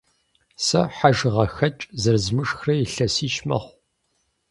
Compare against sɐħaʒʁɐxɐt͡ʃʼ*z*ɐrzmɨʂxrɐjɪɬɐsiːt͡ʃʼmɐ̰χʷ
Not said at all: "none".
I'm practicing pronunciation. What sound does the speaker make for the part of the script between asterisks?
z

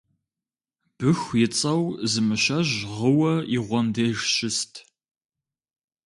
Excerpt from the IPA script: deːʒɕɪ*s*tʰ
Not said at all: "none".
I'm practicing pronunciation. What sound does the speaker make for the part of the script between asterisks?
s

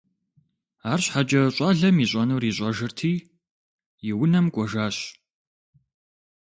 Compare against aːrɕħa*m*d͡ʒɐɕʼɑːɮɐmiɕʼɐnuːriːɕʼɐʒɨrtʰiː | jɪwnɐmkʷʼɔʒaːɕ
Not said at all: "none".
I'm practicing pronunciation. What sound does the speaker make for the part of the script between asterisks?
none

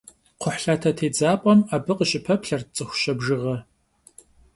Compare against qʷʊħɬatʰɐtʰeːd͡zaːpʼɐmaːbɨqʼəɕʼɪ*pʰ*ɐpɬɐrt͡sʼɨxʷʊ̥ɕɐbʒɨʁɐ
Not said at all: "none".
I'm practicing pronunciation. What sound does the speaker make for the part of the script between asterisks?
pʰ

